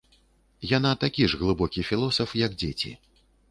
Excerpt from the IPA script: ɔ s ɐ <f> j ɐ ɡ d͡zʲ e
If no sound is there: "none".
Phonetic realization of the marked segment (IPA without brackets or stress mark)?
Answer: f